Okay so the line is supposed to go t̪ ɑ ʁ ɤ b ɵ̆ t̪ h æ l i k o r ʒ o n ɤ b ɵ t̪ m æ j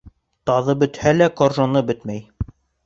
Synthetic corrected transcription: t̪ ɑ ð ɤ b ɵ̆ t̪ h æ l æ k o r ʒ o n ɤ b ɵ t̪ m æ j